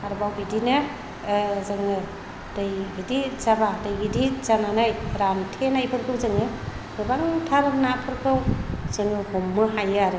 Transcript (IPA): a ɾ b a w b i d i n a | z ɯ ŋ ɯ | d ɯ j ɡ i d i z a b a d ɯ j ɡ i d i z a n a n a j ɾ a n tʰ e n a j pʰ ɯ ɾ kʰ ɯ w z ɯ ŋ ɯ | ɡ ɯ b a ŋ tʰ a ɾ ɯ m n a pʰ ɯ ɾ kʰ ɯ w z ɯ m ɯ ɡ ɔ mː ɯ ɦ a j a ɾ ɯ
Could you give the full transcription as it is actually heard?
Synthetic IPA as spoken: a ɾ b a w b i d i n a | z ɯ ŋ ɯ | d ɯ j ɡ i d i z a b a d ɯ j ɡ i d i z a n a n a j ɾ a n tʰ e n a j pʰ ɯ ɾ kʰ ɯ w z ɯ ŋ ɯ | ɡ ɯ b a ŋ tʰ a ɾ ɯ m n a pʰ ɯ ɾ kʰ ɯ w z ɯ ŋ ɯ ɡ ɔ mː ɯ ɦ a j a ɾ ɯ